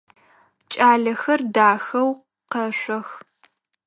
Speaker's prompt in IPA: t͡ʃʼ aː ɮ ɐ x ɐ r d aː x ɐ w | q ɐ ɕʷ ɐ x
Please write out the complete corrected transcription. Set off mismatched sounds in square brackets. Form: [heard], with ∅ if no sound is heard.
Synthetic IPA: t͡ʃʼ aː ɮ ɐ x ɐ r d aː x ɐ w | q ɐ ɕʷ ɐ x